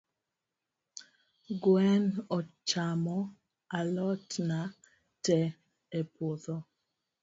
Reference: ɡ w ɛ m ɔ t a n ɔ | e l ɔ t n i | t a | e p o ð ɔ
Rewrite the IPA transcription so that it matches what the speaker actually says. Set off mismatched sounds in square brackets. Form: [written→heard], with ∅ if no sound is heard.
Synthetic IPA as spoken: ɡ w ɛ [m→n] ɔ [t→t͡ʃ] a [n→m] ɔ | [e→a] l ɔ t n [i→a] | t [a→ɛ] | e p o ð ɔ